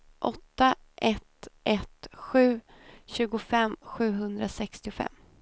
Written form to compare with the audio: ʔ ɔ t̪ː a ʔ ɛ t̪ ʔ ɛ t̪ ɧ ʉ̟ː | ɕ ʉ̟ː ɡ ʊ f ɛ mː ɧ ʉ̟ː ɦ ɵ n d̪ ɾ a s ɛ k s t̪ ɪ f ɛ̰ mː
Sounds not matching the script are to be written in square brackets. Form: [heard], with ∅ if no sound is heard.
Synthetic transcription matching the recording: ʔ ɔ t̪ː a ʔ ɛ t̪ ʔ ɛ t̪ ɧ ʉ̟ː | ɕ ʉ̟ː ɡ ʊ f ɛ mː ɧ ʉ̟ː ɦ ɵ n d̪ ɾ a s ɛ k s t̪ ɪ f ɛ̰ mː